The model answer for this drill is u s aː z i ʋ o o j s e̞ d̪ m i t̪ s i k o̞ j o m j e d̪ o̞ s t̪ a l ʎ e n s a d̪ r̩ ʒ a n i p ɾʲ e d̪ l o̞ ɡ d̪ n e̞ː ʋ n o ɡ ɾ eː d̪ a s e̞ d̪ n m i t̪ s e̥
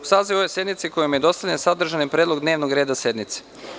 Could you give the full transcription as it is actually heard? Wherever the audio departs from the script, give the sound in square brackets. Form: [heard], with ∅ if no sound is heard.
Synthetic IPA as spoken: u s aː z i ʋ o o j s e̞ d̪ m i t̪ s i k o̞ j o m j e d̪ o̞ s t̪ a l ʎ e n s a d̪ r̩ ʒ a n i p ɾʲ e d̪ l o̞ ɡ d̪ n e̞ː ʋ n o ɡ ɾ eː d̪ a s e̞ d̪ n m i t̪ s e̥

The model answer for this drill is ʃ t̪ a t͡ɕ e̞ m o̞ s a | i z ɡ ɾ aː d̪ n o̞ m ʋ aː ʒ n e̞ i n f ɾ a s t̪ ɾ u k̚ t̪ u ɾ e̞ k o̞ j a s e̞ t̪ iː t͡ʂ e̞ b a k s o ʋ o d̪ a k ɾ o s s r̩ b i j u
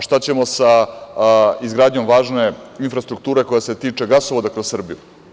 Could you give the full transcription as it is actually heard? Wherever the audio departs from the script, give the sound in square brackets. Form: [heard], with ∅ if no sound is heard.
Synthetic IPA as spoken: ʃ t̪ a t͡ɕ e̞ m o̞ s a | i z ɡ ɾ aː d̪ [ɲ] o̞ m ʋ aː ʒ n e̞ i n f ɾ a s t̪ ɾ u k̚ t̪ [uː] ɾ e̞ k o̞ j a s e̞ t̪ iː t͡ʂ e̞ [ɡ] a [∅] s o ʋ o d̪ a k ɾ o s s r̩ b i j u

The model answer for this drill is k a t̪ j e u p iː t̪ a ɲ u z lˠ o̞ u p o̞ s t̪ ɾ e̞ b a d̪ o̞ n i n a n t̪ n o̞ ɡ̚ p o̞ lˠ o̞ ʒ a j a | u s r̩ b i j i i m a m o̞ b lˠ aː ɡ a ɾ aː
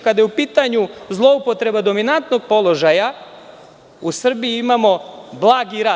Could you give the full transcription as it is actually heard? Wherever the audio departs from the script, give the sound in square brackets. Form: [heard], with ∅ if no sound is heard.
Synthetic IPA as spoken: k a [d̪] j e u p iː t̪ a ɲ u z lˠ o̞ u p o̞ [∅] t̪ ɾ e̞ b a d̪ o̞ [m] i n a n t̪ n o̞ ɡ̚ p o̞ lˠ o̞ ʒ a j a | u s r̩ b i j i i m a m o̞ b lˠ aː ɡ [i] ɾ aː

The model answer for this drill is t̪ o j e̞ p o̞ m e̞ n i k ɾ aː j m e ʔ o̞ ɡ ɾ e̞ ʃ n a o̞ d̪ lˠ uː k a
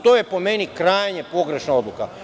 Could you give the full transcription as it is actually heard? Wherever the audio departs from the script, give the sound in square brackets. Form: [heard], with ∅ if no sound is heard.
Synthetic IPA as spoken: t̪ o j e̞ p o̞ m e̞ n i k ɾ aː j [ɲ] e [p] o̞ ɡ ɾ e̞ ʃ n a o̞ d̪ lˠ [u] k a

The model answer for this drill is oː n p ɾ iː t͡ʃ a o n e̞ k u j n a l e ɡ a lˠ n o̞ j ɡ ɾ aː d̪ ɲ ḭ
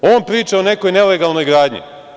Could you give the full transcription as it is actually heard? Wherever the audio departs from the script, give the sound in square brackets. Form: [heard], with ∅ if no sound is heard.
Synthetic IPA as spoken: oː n p ɾ iː t͡ʃ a o n e̞ k [o] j n [e] l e ɡ a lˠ n o̞ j ɡ ɾ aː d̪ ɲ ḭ

